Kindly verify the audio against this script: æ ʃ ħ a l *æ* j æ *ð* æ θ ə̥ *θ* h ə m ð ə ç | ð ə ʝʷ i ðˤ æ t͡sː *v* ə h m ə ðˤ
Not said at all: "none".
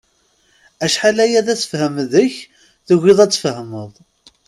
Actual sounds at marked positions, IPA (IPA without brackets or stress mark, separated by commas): æ, ð, f, f